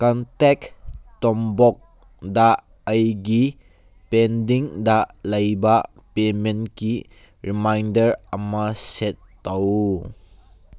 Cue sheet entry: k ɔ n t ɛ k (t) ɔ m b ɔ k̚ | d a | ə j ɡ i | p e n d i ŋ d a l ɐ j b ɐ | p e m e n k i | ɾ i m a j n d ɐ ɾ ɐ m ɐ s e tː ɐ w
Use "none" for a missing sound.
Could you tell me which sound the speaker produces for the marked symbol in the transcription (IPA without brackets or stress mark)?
t